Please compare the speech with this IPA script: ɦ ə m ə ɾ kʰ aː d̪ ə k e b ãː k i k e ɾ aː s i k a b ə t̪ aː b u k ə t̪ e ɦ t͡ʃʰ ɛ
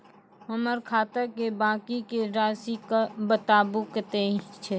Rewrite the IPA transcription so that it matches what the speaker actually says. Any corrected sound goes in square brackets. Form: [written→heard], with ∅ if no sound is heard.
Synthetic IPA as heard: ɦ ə m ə ɾ kʰ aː [d̪→t̪] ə k e b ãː k i k e ɾ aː s i k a b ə t̪ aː b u k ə t̪ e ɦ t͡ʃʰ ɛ